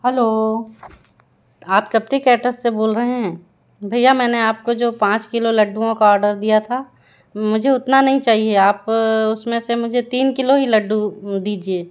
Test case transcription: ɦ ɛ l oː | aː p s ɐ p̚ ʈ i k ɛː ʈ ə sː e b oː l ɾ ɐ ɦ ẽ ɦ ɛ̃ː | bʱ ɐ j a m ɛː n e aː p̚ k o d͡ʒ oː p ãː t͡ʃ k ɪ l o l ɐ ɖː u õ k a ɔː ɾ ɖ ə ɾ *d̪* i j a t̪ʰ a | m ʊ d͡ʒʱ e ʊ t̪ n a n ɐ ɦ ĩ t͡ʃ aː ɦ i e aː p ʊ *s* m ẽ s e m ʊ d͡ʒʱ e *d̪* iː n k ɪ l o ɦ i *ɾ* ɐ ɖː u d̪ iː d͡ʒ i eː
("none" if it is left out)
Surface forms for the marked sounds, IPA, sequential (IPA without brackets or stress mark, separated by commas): d̪, s, t̪, l